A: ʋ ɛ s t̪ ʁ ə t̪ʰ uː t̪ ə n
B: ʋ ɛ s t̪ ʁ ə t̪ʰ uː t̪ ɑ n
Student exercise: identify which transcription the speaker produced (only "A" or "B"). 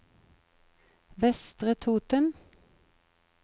A